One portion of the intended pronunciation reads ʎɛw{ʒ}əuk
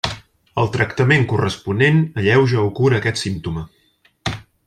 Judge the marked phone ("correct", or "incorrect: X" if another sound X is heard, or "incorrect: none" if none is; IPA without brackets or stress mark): correct